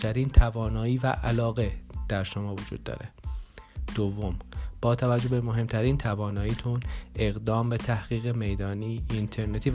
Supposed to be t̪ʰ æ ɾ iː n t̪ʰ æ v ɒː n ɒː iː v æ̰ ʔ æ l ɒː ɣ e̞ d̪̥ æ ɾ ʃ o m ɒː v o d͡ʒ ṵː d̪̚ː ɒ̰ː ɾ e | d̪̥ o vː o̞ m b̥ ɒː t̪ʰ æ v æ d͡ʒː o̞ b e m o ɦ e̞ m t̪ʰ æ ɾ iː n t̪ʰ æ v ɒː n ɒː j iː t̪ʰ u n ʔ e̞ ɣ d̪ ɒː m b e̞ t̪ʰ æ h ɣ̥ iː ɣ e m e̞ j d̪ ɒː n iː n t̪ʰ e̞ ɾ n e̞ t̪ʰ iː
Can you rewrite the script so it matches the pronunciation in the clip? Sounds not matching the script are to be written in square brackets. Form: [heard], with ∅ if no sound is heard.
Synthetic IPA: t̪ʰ æ ɾ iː n t̪ʰ æ v ɒː n ɒː iː v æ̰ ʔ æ l ɒː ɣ e̞ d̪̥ æ ɾ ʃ o m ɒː v o d͡ʒ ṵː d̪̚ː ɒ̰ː ɾ e | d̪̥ o vː o̞ m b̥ ɒː t̪ʰ æ v æ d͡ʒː o̞ b e m o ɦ e̞ m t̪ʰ æ ɾ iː n t̪ʰ æ v ɒː n ɒː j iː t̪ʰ u n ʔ e̞ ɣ d̪ ɒː m b e̞ t̪ʰ æ h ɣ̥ iː ɣ e m e̞ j d̪ ɒː n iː n t̪ʰ e̞ ɾ n e̞ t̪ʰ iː